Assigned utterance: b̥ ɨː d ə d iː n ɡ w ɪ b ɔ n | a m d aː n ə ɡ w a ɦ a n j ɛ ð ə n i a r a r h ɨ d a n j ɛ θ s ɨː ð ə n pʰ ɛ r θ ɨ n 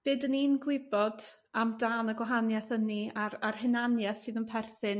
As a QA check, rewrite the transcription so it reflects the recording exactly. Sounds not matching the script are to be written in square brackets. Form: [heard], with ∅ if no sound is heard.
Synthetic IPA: b̥ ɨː d ə [n] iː n ɡ w ɪ b ɔ [d] | a m d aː n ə ɡ w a ɦ a n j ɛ [θ] ə n i a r a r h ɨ [n] a n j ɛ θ s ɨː ð ə n pʰ ɛ r θ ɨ n